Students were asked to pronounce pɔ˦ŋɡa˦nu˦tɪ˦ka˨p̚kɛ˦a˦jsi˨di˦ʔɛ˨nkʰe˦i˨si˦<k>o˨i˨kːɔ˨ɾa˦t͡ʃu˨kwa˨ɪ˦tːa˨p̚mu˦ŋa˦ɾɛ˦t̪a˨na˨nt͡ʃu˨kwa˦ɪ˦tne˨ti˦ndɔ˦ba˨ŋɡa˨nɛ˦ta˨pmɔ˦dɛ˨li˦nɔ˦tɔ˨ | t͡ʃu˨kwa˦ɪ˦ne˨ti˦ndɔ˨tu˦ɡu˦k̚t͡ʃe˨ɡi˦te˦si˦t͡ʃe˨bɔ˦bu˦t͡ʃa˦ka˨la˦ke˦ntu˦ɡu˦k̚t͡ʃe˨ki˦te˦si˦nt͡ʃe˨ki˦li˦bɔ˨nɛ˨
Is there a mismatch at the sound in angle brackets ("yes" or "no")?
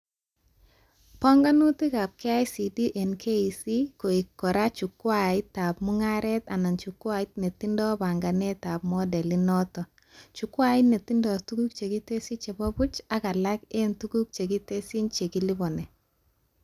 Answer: no